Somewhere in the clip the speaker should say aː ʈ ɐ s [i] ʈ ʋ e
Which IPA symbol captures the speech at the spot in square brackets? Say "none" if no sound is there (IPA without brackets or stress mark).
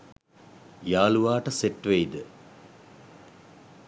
e